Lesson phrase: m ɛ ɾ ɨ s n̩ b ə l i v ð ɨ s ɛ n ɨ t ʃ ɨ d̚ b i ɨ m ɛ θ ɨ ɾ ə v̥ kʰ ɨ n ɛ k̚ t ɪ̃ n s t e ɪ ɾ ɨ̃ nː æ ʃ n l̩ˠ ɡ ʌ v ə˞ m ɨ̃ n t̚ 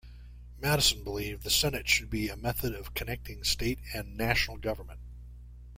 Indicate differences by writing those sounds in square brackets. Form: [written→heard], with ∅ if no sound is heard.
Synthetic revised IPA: m [ɛ→æ] ɾ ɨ s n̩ b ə l i v ð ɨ s ɛ n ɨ t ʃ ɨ d̚ b i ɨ m ɛ θ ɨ ɾ [ə→ʌ] v̥ kʰ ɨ n ɛ k̚ t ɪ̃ [n→ŋ] s t e ɪ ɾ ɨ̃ nː æ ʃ n l̩ˠ ɡ ʌ v ə˞ m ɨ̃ n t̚